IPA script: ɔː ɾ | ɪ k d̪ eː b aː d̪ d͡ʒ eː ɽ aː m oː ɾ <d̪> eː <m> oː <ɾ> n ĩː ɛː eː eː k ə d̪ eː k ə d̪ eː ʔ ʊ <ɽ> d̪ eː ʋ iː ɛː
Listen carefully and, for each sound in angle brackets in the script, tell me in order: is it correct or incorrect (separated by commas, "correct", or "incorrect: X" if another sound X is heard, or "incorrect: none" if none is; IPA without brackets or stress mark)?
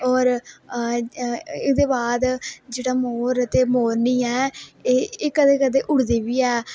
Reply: incorrect: t̪, correct, correct, correct